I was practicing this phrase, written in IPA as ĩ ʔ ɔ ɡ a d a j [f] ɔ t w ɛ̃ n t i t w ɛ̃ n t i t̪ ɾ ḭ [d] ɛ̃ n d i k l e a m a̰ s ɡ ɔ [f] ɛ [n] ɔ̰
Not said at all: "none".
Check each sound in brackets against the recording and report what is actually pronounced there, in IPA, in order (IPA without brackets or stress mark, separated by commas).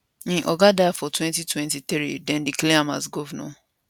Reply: f, d, v, n